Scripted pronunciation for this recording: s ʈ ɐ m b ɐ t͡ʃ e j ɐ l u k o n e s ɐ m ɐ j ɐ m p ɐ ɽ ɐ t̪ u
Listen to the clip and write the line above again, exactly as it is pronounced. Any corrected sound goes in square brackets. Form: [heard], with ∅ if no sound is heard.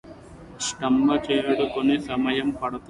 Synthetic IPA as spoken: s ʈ ɐ m b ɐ t͡ʃ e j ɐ [ɽ] u k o n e s ɐ m ɐ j ɐ m p ɐ ɽ ɐ t̪ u